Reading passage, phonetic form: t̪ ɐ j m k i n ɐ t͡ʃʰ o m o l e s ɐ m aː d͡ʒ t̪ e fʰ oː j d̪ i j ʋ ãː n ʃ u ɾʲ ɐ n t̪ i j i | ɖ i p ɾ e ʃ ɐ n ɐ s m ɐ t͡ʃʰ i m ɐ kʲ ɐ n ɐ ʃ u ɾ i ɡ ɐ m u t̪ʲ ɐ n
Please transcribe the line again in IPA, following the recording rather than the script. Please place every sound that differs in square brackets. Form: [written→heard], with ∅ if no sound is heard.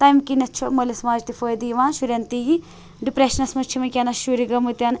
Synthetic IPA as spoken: t̪ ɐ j m k i n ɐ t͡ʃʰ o m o l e s ɐ m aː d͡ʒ t̪ [e→i] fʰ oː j d̪ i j ʋ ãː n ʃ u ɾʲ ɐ n t̪ i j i | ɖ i p ɾ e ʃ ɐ n ɐ s m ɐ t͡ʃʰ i m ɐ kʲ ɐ n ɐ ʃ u ɾ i ɡ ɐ m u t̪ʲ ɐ n